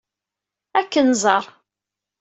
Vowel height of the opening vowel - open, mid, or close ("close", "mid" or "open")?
open